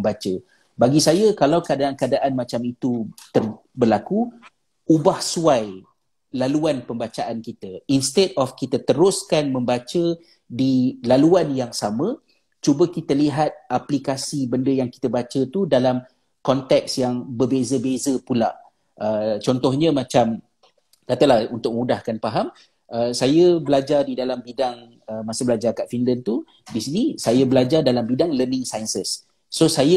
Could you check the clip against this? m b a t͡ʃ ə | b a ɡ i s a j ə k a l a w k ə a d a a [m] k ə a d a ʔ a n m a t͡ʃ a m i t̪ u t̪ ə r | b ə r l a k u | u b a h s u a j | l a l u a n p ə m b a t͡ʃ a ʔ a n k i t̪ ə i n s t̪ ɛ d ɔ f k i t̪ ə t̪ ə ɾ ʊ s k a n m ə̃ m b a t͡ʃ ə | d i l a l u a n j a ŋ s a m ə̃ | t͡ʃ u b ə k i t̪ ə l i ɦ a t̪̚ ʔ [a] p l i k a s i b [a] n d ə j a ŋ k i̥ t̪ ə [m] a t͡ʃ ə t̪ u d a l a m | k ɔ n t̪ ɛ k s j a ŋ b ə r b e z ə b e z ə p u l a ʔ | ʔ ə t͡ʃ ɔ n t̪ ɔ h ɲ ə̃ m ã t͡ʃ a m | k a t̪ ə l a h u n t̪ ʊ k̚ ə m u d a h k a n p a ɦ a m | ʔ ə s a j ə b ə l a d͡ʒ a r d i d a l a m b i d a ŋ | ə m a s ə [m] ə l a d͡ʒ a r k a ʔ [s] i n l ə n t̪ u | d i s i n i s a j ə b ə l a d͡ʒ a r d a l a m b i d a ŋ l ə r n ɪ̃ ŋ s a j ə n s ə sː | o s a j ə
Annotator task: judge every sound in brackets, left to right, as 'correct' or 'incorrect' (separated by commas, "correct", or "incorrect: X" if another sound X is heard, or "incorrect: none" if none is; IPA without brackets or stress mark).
incorrect: n, correct, incorrect: ə, incorrect: b, incorrect: b, incorrect: f